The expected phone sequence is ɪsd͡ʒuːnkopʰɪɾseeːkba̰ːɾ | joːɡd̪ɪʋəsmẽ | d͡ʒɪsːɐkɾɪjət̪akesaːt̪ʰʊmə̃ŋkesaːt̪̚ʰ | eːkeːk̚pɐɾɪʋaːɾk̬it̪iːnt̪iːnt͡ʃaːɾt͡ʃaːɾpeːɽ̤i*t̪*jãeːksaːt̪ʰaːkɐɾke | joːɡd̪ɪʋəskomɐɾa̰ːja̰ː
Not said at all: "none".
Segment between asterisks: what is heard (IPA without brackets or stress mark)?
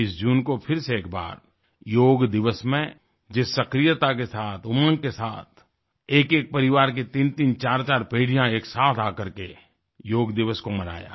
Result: none